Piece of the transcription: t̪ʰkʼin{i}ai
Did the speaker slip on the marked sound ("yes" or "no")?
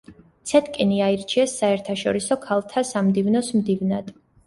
no